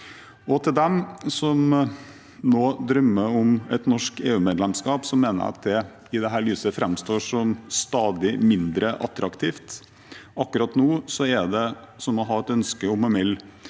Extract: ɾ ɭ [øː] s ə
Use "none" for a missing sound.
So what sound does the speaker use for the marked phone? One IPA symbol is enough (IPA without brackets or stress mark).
yː